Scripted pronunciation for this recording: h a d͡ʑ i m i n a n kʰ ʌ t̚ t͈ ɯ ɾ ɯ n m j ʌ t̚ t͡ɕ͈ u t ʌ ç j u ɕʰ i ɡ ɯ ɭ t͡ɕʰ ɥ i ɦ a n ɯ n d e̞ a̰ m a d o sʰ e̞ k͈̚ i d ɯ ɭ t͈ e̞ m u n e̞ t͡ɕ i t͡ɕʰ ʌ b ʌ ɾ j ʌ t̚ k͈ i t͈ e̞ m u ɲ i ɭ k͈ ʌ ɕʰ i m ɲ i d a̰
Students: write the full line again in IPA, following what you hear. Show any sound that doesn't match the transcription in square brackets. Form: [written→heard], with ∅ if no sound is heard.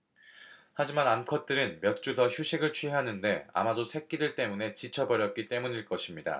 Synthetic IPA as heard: h a d͡ʑ i m [i→a] n a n kʰ ʌ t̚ t͈ ɯ ɾ ɯ n m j ʌ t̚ t͡ɕ͈ u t ʌ ç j u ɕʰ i ɡ ɯ ɭ t͡ɕʰ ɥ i ɦ a n ɯ n d e̞ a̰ m a d o sʰ e̞ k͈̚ i d ɯ ɭ t͈ e̞ m u n e̞ t͡ɕ i t͡ɕʰ ʌ b ʌ ɾ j ʌ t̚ k͈ i t͈ e̞ m u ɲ i ɭ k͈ ʌ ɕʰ i m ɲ i d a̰